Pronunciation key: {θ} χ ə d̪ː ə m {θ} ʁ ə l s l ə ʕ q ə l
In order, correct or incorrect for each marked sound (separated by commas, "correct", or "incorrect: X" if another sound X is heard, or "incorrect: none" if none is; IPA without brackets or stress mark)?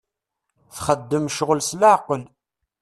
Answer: correct, incorrect: ʃ